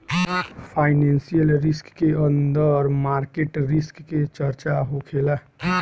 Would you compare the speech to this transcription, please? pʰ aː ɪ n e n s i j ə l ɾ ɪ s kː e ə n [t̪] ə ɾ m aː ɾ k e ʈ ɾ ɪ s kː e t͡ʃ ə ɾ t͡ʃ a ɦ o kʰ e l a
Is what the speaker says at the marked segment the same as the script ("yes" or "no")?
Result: no